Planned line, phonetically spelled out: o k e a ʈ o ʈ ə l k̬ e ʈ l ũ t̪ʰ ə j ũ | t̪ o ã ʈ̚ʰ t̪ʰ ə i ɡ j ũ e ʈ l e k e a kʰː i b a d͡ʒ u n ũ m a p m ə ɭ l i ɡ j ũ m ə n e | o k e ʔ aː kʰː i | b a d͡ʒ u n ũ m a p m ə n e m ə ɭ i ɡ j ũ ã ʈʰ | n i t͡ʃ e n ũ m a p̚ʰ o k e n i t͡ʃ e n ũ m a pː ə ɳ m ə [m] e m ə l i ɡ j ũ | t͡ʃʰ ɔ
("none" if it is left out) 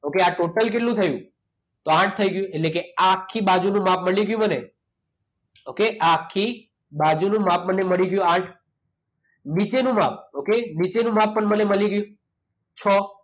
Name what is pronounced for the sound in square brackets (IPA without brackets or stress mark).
n